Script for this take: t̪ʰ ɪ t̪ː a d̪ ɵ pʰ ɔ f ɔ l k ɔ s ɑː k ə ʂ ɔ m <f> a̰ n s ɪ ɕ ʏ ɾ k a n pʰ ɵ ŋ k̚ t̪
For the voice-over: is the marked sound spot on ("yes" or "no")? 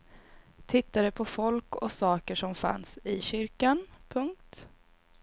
yes